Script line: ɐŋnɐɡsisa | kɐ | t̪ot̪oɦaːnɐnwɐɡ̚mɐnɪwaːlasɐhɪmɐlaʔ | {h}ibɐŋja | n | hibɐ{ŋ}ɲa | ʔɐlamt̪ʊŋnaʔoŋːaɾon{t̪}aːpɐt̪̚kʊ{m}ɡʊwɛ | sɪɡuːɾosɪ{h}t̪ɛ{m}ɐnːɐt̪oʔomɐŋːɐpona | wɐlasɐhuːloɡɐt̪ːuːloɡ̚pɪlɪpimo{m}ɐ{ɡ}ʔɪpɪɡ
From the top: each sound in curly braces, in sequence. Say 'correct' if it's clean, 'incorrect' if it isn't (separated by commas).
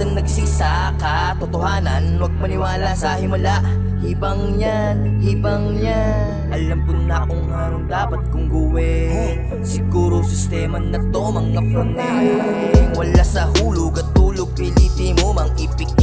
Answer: correct, correct, incorrect, incorrect, incorrect, correct, correct, incorrect